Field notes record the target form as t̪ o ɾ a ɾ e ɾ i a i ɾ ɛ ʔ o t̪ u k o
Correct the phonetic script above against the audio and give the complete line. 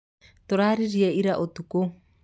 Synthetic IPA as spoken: t̪ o ɾ a ɾ i ɾ i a i ɾ a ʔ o t̪ u k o